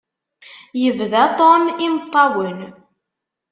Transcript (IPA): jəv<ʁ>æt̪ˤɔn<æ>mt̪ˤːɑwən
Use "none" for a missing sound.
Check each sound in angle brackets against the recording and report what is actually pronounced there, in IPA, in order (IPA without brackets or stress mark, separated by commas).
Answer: ð, i